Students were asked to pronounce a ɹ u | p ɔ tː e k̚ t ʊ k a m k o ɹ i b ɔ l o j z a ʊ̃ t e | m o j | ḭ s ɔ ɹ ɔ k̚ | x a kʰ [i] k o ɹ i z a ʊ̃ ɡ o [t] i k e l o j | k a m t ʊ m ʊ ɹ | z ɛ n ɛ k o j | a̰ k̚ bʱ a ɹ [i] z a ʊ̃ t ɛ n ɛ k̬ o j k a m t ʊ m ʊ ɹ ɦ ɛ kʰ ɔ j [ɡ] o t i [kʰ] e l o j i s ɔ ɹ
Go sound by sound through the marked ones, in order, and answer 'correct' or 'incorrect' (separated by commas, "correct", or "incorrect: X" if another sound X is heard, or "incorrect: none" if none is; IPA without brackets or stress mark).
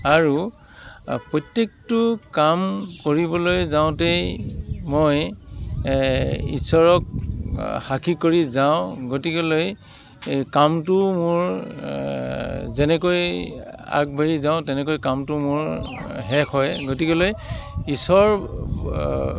correct, correct, correct, correct, incorrect: k